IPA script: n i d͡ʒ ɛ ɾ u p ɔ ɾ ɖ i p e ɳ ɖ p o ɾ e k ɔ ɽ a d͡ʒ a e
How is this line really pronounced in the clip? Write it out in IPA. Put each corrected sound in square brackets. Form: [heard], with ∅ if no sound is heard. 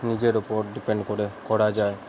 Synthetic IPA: n i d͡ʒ [e] ɾ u p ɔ ɾ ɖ i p e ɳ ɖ [k] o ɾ e k ɔ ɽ a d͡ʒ a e